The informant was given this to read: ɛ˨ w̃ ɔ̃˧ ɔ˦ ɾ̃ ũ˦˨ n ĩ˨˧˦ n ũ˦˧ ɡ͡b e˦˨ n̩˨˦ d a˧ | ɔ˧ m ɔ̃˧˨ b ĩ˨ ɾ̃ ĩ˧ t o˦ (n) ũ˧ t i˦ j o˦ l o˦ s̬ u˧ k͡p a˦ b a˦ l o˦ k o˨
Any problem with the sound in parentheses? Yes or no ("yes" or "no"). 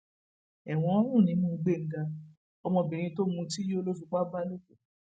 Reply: yes